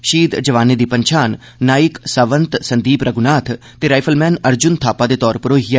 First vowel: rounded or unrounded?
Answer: unrounded